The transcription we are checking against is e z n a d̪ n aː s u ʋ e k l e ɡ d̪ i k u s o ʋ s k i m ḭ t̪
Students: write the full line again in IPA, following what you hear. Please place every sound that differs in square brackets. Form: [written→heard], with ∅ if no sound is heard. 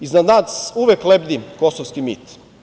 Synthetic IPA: [e→i] z n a d̪ n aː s u ʋ e k l e [ɡ→b] d̪ i k [u→o] s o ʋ s k i m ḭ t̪